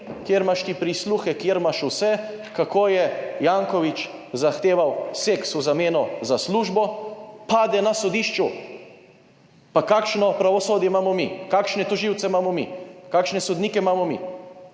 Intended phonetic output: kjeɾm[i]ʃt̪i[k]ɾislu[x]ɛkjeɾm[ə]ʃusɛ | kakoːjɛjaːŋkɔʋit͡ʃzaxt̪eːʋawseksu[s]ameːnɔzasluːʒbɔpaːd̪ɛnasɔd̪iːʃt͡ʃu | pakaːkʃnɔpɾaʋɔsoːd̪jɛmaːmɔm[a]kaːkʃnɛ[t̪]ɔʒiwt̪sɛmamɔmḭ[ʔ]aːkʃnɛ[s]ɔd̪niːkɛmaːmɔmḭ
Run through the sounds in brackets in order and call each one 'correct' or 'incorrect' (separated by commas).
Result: incorrect, incorrect, correct, incorrect, incorrect, incorrect, correct, incorrect, correct